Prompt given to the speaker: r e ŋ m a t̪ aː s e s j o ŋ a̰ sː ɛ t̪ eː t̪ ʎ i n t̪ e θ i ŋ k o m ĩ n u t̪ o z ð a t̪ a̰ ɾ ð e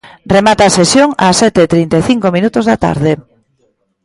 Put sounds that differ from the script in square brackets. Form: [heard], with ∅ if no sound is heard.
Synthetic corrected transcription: r e [∅] m a t̪ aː s e s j o ŋ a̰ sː ɛ t̪ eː t̪ [ɾ] i n t̪ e θ i ŋ k o m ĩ n u t̪ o z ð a t̪ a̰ ɾ ð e